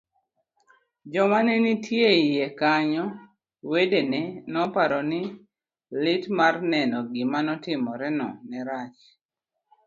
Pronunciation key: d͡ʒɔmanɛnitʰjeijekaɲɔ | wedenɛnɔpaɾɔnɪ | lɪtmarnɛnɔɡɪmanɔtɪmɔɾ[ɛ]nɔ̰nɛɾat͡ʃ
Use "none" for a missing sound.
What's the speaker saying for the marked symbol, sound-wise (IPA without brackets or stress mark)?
ɛ